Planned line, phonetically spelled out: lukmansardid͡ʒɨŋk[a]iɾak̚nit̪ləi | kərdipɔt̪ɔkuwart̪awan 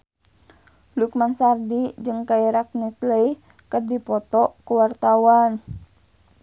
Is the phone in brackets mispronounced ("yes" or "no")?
no